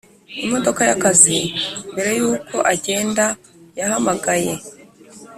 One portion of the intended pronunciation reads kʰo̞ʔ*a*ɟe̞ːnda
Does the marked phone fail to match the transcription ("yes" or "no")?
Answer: no